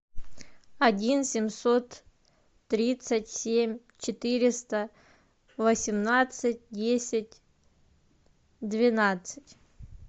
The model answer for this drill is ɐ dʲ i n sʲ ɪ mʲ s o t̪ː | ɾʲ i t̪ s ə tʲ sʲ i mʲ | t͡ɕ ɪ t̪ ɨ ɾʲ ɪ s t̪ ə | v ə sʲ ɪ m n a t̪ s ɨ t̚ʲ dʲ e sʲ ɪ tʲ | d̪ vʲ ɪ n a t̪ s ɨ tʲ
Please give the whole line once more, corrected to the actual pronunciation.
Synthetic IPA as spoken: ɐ dʲ i n sʲ ɪ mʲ s o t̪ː | ɾʲ i t̪ s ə tʲ sʲ e mʲ | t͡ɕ ɪ t̪ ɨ ɾʲ ɪ s t̪ ə | v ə sʲ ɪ m n a t̪ s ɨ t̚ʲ dʲ e sʲ ɪ tʲ | d̪ vʲ ɪ n a t̪ s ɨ tʲ